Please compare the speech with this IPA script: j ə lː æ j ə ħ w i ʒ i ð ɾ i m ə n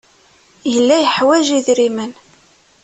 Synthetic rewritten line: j ə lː æ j ə ħ w æ ʒ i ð ɾ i m ə n